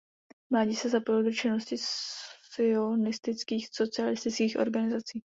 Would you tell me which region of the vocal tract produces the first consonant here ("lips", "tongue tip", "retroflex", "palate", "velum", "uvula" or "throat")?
lips